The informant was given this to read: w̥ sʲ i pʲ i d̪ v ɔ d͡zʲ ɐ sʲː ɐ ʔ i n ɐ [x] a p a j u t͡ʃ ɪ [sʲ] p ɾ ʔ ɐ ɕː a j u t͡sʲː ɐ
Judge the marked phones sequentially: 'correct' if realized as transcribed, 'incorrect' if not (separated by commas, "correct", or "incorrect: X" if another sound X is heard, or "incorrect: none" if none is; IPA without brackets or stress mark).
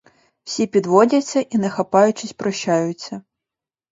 correct, correct